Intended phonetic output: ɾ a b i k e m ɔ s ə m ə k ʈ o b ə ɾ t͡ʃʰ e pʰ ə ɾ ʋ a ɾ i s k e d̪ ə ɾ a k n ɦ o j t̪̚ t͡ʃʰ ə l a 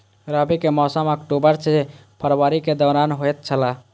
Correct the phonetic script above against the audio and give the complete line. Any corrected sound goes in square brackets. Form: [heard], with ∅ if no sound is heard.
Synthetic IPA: ɾ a b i k e m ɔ s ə m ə k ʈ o b ə ɾ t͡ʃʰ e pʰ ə ɾ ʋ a ɾ i [∅] k e d̪ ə ɾ a [∅] n ɦ o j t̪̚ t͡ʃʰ ə l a